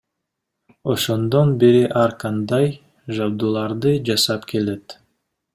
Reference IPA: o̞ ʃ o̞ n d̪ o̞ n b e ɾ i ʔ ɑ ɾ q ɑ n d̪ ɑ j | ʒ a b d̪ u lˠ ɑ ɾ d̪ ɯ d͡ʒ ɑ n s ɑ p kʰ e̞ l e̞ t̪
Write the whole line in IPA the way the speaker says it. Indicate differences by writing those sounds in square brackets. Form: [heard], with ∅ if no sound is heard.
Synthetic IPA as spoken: o̞ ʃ o̞ n d̪ o̞ n b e ɾ i ʔ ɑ ɾ q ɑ n d̪ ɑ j | ʒ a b d̪ u lˠ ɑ ɾ d̪ ɯ d͡ʒ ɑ [∅] s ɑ p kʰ e̞ l e̞ t̪

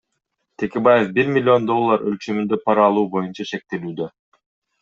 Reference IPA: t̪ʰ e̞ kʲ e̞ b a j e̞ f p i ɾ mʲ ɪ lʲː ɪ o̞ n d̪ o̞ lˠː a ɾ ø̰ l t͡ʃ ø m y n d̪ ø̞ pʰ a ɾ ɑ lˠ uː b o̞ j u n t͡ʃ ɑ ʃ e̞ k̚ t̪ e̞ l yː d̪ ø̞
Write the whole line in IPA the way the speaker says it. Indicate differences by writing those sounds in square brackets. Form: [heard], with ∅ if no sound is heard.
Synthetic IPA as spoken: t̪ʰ e̞ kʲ e̞ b a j e̞ f [b] i ɾ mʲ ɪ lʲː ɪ o̞ n d̪ o̞ lˠː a ɾ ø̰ l t͡ʃ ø m y n d̪ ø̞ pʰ [ɑ] ɾ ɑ lˠ uː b o̞ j u n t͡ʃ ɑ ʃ e̞ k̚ t̪ e̞ l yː d̪ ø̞

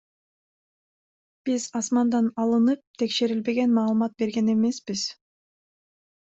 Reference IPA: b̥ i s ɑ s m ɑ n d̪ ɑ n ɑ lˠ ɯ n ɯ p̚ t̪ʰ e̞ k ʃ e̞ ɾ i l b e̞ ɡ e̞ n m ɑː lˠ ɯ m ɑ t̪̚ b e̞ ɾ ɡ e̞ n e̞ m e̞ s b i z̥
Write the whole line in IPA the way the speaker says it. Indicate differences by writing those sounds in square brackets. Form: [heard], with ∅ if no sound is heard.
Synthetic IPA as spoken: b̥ i [z] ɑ s m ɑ n d̪ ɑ n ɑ lˠ ɯ n ɯ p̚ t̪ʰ e̞ k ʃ e̞ ɾ i l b e̞ ɡ e̞ n m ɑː lˠ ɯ m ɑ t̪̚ b e̞ ɾ ɡ e̞ n e̞ m e̞ s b i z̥

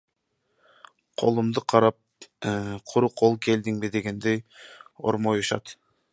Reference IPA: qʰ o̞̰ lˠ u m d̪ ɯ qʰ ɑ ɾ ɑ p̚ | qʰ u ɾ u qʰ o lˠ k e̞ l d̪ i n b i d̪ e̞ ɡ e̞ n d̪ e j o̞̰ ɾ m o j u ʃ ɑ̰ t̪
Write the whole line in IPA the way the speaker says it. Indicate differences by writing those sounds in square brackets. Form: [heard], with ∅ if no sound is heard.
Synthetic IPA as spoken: qʰ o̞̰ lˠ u m d̪ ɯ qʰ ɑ ɾ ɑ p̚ | qʰ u ɾ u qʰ o lˠ k e̞ l d̪ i [ŋ] b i d̪ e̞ ɡ e̞ n d̪ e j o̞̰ ɾ m o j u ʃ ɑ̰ t̪

